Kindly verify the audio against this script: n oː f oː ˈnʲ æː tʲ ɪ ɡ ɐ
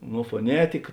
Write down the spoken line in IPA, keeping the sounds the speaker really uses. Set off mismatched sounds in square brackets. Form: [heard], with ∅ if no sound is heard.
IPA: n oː f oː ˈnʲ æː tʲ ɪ [k] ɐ